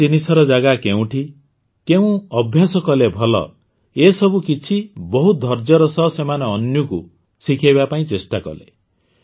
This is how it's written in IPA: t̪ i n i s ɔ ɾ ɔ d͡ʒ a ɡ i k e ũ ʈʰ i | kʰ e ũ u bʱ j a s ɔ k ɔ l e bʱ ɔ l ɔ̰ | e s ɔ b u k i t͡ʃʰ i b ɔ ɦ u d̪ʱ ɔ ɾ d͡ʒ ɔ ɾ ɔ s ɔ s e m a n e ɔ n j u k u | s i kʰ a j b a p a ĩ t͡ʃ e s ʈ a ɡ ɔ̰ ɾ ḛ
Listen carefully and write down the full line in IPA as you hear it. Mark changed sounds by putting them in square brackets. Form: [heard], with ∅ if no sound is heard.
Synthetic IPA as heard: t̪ i n i s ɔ ɾ ɔ d͡ʒ a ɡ [a] k e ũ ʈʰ i | [k] e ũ [ɔ] bʱ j a s ɔ k ɔ l e bʱ ɔ l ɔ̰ | e s ɔ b u k i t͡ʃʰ i b ɔ ɦ u d̪ʱ ɔ ɾ d͡ʒ ɔ ɾ ɔ s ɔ s e m a n e ɔ n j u k u | s i kʰ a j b a p a ĩ t͡ʃ e s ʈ a [k] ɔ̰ [l] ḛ